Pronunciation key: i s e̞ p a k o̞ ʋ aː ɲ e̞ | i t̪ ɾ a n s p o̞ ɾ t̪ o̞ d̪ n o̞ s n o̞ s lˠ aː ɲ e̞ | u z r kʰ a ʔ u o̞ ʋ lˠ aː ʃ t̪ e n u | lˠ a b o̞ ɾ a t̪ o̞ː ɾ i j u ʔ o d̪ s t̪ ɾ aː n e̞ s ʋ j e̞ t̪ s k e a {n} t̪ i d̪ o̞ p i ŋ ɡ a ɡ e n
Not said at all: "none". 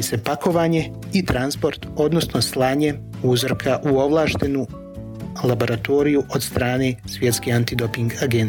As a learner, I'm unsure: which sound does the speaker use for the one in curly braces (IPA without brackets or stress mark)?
n